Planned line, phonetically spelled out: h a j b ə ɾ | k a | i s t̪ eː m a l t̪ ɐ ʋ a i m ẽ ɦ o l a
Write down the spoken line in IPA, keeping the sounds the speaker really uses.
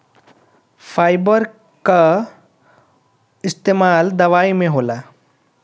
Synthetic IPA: f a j b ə ɾ | k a | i s t̪ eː m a l d̪ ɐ ʋ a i m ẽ ɦ o l a